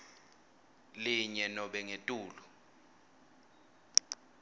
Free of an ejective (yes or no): no